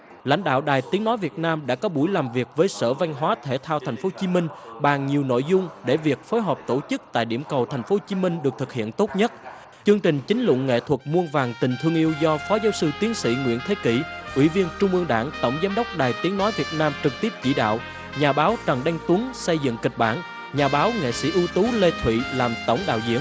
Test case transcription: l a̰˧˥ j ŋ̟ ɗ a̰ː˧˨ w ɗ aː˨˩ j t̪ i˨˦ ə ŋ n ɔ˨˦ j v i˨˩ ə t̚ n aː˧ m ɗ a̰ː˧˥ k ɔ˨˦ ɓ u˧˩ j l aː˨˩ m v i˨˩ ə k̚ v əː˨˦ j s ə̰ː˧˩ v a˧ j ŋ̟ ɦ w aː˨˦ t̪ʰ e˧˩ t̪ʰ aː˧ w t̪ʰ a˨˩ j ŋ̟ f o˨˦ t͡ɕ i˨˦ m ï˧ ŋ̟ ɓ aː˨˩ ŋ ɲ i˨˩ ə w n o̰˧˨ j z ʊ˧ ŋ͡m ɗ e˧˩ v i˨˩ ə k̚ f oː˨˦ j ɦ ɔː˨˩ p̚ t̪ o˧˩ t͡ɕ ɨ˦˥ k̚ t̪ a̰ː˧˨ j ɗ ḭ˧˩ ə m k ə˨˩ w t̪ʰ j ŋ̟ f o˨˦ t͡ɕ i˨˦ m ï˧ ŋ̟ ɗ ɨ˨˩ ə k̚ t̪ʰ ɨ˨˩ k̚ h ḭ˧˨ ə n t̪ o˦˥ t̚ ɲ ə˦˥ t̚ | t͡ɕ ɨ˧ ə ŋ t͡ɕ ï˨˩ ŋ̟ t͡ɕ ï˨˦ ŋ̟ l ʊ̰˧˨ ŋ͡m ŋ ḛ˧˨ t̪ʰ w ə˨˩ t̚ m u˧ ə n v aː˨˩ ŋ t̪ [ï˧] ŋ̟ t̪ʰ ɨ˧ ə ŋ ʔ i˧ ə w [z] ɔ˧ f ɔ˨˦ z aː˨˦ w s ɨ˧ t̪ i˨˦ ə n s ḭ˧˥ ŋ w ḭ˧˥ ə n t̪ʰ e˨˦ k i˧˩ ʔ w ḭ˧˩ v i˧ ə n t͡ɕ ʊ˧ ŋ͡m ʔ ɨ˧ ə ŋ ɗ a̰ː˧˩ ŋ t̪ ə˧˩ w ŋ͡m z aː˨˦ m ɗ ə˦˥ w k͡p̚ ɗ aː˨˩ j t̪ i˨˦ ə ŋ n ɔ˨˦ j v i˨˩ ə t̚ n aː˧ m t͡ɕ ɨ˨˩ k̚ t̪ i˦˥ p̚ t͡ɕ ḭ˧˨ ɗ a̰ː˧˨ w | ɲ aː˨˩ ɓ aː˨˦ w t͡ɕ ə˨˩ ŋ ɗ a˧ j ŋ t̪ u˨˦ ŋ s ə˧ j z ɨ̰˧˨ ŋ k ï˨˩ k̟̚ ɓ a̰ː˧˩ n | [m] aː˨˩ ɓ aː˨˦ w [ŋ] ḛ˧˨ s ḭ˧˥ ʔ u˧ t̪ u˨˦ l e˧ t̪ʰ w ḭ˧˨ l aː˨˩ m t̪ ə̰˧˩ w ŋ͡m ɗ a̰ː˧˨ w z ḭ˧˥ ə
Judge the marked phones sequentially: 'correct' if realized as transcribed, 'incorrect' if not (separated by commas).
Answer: incorrect, correct, incorrect, correct